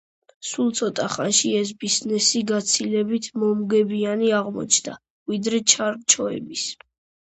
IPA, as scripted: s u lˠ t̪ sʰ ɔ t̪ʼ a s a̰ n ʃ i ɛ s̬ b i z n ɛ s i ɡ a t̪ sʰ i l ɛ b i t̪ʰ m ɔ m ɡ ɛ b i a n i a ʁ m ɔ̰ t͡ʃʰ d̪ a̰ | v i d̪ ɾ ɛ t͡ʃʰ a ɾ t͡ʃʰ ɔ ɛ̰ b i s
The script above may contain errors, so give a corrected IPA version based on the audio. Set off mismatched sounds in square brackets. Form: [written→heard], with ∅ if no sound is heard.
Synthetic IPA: s u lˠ t̪ sʰ ɔ t̪ʼ a [s→χ] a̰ n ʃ i ɛ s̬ b i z n ɛ s i ɡ a t̪ sʰ i l ɛ b i t̪ʰ m ɔ m ɡ ɛ b i a n i a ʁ m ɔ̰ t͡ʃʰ d̪ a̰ | v i d̪ ɾ ɛ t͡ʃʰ a ɾ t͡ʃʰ ɔ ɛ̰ b i s